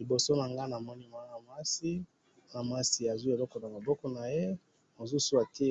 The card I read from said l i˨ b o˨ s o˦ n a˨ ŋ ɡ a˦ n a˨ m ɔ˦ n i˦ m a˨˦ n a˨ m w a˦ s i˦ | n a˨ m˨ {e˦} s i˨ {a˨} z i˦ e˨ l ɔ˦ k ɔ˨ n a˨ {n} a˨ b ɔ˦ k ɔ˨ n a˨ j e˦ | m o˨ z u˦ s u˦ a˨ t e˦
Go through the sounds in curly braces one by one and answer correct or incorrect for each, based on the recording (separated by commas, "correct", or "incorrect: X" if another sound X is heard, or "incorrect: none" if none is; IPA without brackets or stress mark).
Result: incorrect: a˦, correct, incorrect: m